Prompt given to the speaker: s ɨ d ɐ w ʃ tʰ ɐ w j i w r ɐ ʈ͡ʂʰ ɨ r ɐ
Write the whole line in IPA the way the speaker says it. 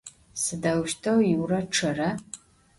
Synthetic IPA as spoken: s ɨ d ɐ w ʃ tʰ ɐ w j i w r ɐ ʈ͡ʂʰ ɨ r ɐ